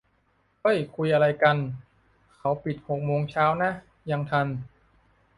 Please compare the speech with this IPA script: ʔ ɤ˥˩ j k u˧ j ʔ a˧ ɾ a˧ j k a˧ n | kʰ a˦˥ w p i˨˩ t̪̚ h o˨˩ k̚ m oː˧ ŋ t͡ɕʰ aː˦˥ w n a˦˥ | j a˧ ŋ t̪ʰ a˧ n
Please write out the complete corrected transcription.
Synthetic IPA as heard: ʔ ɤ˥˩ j kʰ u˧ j ʔ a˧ ɾ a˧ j k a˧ n | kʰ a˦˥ w p i˨˩ t̪̚ h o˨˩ k̚ m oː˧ ŋ t͡ɕʰ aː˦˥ w n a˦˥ | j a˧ ŋ t̪ʰ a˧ n